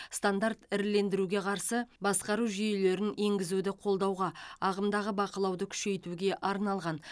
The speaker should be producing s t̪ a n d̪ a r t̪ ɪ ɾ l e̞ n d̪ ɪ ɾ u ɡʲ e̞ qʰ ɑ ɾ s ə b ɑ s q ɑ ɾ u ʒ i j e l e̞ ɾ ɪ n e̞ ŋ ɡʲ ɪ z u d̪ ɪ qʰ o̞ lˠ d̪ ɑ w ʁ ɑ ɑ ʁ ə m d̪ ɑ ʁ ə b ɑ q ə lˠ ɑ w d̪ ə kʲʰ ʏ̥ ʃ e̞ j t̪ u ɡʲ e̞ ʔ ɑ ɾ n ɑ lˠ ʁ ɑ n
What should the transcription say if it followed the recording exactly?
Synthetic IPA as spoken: s t̪ a n d̪ a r t̪ ɪ ɾ l e̞ n d̪ ɪ ɾ u ɡʲ e̞ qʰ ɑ ɾ s ə b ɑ s q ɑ ɾ u ʒ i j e l e̞ ɾ ɪ n e̞ ŋ ɡʲ ɪ z u d̪ ɪ qʰ o̞ lˠ d̪ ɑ w ʁ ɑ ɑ ʁ ə m d̪ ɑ ʁ ə b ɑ q ə lˠ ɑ w d̪ ə kʲʰ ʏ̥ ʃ e̞ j t̪ u ɡʲ e̞ ʔ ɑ ɾ n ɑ lˠ ʁ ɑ n